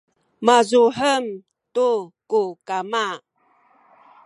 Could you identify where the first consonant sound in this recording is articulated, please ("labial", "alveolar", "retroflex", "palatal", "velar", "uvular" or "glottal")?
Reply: labial